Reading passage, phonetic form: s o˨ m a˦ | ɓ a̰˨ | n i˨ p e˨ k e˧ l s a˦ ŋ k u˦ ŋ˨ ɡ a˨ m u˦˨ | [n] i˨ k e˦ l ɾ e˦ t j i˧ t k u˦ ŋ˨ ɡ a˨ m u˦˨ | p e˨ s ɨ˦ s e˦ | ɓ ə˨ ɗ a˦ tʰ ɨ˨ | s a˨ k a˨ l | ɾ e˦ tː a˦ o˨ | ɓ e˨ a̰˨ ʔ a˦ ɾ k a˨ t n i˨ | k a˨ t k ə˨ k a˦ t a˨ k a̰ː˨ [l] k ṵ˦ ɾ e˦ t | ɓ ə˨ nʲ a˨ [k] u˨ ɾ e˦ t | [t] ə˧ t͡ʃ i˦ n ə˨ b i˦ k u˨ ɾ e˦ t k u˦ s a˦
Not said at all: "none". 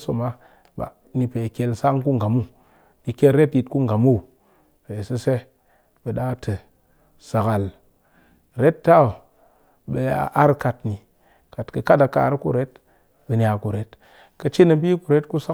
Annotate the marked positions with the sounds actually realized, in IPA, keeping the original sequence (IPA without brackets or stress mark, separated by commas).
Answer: n, ɾ, k, k